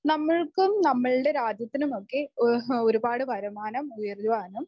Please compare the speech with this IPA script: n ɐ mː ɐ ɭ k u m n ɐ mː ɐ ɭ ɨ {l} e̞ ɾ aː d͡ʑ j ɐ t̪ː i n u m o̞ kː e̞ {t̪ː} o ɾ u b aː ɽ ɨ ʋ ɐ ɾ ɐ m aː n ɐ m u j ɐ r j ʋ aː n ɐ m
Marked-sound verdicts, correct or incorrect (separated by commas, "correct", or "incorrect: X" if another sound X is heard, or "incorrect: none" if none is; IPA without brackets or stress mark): incorrect: ɽ, incorrect: none